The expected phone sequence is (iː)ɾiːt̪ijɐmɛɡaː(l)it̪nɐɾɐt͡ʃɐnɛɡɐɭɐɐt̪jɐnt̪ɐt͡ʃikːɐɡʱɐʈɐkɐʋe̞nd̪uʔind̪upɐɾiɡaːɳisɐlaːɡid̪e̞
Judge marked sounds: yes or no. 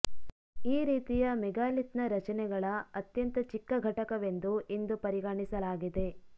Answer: yes, yes

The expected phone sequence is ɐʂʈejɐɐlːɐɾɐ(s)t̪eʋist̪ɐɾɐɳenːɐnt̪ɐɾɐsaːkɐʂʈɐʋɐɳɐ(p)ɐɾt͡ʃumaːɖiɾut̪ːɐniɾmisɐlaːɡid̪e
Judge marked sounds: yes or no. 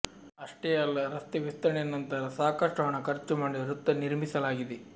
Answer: yes, no

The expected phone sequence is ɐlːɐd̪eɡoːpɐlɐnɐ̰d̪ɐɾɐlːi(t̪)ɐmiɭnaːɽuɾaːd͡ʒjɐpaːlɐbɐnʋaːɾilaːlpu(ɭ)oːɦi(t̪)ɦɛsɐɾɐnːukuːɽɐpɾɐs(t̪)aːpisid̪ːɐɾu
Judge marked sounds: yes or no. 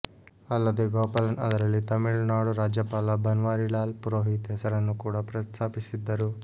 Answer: yes, no, yes, no

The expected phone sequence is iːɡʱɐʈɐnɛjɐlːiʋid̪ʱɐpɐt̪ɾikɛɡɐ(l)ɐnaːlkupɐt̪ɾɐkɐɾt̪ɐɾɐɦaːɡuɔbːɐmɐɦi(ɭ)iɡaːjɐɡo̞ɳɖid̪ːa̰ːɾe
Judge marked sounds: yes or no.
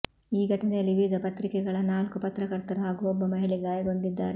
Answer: no, yes

